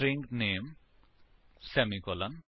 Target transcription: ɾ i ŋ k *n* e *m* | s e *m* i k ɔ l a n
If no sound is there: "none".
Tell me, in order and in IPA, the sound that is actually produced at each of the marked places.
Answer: n, m, m

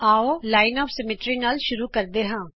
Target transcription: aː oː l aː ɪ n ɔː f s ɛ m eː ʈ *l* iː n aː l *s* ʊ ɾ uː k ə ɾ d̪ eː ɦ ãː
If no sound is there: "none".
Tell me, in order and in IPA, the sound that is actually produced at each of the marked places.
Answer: ɾ, ʃ

